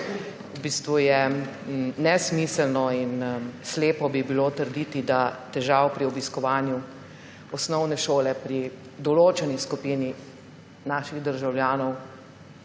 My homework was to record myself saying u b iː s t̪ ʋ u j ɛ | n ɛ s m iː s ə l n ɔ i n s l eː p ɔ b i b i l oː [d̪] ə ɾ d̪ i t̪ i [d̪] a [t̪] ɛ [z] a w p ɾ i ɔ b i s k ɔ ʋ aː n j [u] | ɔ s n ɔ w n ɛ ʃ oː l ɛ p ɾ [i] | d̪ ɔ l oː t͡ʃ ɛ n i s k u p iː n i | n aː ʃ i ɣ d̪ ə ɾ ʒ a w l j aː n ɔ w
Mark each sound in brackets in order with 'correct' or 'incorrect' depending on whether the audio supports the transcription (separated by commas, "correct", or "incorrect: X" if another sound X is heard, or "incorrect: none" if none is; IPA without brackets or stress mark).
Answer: incorrect: t̪, correct, correct, incorrect: ʒ, correct, correct